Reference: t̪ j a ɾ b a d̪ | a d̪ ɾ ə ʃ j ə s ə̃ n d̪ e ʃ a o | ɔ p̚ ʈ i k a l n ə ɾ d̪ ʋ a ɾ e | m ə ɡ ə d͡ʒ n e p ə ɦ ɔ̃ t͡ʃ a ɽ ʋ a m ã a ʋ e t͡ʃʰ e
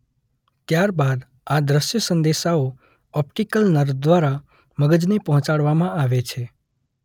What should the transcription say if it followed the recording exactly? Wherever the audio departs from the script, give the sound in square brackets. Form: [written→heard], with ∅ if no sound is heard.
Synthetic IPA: t̪ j a ɾ b a d̪ | a d̪ ɾ ə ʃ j ə s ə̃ n d̪ e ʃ a o | ɔ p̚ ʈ i k [a→ə] l n ə ɾ d̪ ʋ a ɾ [e→a] | m ə ɡ ə d͡ʒ n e p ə ɦ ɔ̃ t͡ʃ a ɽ ʋ a m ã a ʋ e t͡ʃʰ e

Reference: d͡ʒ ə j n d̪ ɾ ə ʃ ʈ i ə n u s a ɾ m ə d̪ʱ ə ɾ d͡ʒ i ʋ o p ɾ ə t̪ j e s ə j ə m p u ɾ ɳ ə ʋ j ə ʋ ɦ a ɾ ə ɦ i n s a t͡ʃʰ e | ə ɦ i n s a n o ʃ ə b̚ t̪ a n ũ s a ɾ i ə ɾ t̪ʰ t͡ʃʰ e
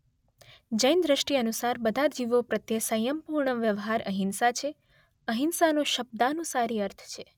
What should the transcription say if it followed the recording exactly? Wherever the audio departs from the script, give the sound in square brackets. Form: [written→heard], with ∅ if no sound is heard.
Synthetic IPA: d͡ʒ ə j n d̪ ɾ ə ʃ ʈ i ə n u s a ɾ [m→b] ə d̪ʱ [ə→a] ɾ d͡ʒ i ʋ o p ɾ ə t̪ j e s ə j ə m p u ɾ ɳ ə ʋ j ə ʋ ɦ a ɾ ə ɦ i n s a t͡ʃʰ e | ə ɦ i n s a n o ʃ ə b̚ [t̪→d̪] a n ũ s a ɾ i ə ɾ t̪ʰ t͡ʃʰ e

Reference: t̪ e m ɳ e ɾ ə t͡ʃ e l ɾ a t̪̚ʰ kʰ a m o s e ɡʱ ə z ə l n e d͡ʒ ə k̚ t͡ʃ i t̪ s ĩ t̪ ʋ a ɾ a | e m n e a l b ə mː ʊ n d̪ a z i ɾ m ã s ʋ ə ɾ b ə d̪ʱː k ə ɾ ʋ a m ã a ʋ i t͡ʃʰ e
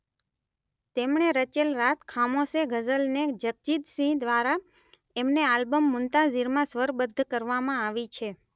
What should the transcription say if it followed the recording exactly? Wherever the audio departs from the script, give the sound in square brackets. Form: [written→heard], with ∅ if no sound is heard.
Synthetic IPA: t̪ e m ɳ e ɾ ə t͡ʃ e l ɾ a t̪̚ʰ kʰ a m o s e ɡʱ ə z ə l n e d͡ʒ ə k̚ t͡ʃ i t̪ s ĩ [t̪→d̪] ʋ a ɾ a | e m n e a l b ə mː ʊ n [d̪→t̪] a z i ɾ m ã s ʋ ə ɾ b ə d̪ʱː k ə ɾ ʋ a m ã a ʋ i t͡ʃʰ e

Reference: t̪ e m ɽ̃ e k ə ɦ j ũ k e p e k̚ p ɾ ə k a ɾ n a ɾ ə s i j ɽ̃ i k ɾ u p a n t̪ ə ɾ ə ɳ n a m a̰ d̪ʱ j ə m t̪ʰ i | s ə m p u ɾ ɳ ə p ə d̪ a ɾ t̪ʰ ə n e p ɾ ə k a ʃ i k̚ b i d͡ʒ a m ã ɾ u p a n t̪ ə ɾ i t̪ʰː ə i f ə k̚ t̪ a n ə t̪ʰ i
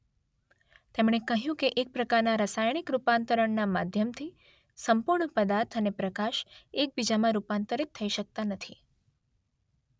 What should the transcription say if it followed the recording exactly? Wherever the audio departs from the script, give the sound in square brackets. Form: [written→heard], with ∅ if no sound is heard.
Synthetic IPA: t̪ e m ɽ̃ e k ə ɦ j ũ k e [p→ʔ] e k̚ p ɾ ə k a ɾ n a ɾ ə s [i→a] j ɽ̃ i k ɾ u p a n t̪ ə ɾ ə ɳ n a m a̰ d̪ʱ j ə m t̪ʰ i | s ə m p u ɾ ɳ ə p ə d̪ a ɾ t̪ʰ ə n e p ɾ ə k a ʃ [i→e] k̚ b i d͡ʒ a m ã ɾ u p a n t̪ ə ɾ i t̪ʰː ə i [f→ʃ] ə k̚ t̪ a n ə t̪ʰ i

